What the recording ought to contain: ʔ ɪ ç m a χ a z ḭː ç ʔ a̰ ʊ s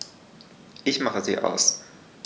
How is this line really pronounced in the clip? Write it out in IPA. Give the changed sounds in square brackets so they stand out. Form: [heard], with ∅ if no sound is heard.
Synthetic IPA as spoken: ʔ ɪ ç m a χ [ə] z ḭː [∅] ʔ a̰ ʊ s